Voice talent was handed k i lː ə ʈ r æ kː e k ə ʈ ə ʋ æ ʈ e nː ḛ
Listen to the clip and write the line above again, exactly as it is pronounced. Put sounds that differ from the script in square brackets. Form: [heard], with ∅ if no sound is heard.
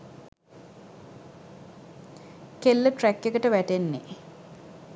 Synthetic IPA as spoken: k [e] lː ə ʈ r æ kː e k ə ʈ ə ʋ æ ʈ e nː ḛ